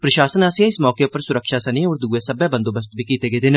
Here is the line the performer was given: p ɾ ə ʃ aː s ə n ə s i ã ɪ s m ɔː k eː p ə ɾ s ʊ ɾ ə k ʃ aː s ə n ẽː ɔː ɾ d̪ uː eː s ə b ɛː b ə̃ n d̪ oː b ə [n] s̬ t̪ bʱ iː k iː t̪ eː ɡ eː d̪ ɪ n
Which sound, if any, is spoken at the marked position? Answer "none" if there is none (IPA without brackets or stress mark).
none